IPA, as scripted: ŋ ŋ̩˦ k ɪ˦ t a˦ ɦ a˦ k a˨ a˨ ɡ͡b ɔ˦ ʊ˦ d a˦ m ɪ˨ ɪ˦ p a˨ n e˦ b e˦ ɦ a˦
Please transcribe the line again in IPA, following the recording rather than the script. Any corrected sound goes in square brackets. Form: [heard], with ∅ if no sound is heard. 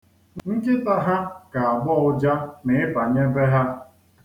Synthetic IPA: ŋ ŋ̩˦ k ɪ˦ t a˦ ɦ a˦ k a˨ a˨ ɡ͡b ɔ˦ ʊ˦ [d͡ʒ] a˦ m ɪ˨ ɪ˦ p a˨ [ɲ] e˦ b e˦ ɦ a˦